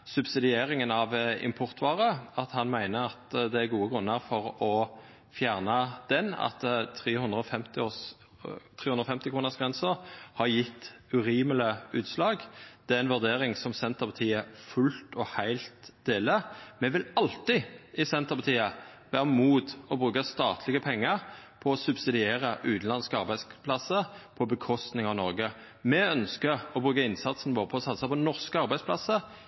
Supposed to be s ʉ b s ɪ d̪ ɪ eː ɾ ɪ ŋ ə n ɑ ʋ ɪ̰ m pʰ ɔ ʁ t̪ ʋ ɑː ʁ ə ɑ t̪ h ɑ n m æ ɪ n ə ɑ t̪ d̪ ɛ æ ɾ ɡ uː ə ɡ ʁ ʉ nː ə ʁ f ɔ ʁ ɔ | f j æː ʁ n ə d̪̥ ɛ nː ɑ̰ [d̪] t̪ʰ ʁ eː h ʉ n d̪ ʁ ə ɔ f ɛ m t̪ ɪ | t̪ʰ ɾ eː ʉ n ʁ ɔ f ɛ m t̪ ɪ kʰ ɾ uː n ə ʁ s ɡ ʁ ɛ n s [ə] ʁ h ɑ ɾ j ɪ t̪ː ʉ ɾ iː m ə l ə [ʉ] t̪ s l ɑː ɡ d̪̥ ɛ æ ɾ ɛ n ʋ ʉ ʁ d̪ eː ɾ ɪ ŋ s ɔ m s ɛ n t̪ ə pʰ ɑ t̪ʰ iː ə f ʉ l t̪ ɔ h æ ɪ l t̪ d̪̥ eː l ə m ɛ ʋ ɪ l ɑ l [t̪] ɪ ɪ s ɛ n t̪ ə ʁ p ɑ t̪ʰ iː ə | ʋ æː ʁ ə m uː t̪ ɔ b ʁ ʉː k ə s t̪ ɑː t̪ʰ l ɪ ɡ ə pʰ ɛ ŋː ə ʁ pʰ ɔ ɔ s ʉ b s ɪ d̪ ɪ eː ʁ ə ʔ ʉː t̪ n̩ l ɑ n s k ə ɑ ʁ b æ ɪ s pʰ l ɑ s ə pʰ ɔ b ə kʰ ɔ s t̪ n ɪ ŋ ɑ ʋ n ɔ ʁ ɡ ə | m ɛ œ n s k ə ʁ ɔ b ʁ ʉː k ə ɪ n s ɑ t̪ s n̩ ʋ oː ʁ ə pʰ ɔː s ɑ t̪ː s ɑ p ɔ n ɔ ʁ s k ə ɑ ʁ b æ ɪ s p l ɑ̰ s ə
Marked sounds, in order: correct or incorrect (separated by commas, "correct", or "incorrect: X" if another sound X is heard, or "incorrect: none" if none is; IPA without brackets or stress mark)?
incorrect: t̪, correct, incorrect: ʉː, correct